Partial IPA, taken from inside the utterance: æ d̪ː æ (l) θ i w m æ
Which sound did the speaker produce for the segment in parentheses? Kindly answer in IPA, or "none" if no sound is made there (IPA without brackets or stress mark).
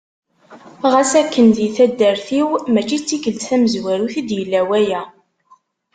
ɾ